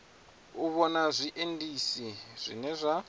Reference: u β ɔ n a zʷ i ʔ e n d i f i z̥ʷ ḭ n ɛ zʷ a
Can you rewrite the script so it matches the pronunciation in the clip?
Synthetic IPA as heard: u β ɔ n a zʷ i ʔ e n d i s i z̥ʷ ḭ n ɛ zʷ a

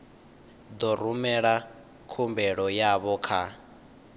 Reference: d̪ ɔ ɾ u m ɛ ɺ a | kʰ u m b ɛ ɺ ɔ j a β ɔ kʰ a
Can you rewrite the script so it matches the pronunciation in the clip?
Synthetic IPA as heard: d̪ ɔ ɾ u m ɛ ɺ a | kʰ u m b ɛ ɺ ɔ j a β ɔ kʰ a

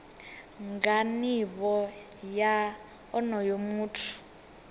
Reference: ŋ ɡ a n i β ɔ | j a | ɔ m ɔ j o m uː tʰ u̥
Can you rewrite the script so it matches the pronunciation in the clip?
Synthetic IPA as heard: ŋ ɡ a n i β ɔ | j a | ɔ n ɔ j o m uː tʰ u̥

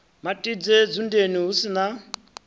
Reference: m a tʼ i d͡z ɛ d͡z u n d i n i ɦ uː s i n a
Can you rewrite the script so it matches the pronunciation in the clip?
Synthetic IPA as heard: m a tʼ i d͡z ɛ d͡z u n d e n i ɦ u s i n a

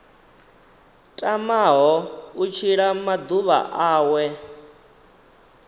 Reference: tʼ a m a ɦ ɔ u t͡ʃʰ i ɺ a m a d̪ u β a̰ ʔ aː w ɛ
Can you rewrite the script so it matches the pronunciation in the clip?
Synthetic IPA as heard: tʼ a m a ɦ ɔ u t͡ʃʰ i ɺ a m a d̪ u β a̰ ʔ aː w ɛ

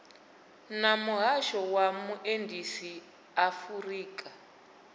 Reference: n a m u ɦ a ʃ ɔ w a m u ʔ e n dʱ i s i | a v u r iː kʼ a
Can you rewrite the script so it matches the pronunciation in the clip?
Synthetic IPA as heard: n a m u ɦ a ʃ ɔ w a m u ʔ e n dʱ i s i | a f u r iː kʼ a

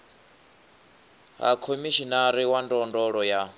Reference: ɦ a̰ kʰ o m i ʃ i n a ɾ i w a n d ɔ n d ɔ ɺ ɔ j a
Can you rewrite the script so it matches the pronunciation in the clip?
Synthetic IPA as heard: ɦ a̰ kʰ o m i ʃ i n a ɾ i w a n d ɔ n d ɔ ɺ ɔ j a

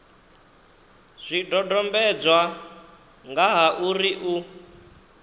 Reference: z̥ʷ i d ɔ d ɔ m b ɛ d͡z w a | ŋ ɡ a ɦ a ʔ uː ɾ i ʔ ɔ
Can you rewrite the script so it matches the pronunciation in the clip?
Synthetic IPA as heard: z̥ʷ i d ɔ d ɔ m b ɛ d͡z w a | ŋ ɡ a ɦ a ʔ u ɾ i ʔ u

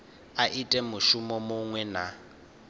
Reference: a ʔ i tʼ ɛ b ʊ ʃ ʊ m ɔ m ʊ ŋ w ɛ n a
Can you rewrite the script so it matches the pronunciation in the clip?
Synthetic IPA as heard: a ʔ i tʼ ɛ m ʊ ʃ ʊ m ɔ m ʊ ŋ w ɛ n a

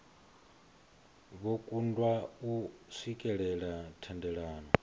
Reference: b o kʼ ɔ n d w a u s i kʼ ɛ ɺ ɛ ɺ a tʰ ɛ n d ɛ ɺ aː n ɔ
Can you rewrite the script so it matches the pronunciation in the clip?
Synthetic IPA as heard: β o kʼ u n d w a u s i kʼ ɛ ɺ ɛ ɺ a tʰ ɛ n d ɛ ɺ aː n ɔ

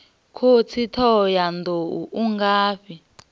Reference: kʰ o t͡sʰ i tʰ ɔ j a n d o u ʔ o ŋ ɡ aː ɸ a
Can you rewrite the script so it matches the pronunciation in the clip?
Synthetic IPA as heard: kʰ o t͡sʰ i tʰ ɔ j a n d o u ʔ u ŋ ɡ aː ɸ i

